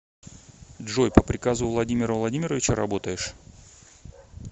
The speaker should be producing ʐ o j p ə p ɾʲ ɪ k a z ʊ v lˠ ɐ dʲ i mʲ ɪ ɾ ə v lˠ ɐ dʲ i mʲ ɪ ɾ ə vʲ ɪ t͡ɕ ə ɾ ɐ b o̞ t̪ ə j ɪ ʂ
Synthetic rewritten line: ʐ o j p ə p ɾʲ ɪ k a z ʊ v lˠ ɐ dʲ i mʲ ɪ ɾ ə v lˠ ɐ dʲ i mʲ ɪ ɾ ə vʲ ɪ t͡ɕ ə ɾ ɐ b o̞ t̪ ə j ɪ ʂ